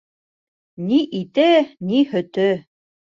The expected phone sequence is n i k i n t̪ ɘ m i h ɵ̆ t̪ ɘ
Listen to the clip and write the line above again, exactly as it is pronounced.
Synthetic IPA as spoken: n i ʔ i t̪ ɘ n i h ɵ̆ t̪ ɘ